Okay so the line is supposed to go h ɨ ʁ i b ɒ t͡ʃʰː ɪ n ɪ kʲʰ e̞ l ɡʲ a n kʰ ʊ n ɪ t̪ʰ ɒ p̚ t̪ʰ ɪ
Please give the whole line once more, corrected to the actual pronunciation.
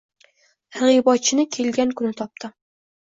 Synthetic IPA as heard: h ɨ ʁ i b ɒ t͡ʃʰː ɪ n ɪ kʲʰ e̞ l ɡʲ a n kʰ ʊ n ɪ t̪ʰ ɒ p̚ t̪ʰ ɪ